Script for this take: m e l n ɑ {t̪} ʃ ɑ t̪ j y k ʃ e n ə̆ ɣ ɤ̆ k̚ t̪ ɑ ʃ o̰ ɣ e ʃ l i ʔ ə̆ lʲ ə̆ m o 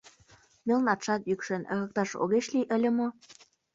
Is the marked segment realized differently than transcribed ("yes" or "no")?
no